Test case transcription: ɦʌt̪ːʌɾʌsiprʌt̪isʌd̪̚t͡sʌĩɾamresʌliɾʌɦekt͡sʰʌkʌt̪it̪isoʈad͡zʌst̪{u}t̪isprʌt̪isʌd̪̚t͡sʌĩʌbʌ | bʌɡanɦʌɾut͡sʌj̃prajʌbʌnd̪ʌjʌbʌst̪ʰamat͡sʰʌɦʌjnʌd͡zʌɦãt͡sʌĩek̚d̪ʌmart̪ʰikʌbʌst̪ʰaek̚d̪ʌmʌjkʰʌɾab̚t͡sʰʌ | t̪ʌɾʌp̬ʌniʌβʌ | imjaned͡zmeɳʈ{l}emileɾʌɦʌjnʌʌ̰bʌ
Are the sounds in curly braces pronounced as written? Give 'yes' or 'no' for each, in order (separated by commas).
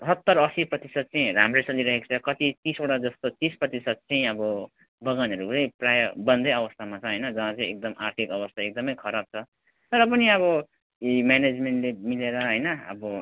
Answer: no, yes